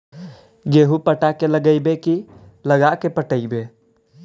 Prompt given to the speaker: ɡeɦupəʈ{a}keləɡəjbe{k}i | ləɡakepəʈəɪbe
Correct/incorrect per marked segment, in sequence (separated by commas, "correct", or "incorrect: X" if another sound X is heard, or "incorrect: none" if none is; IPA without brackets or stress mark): correct, correct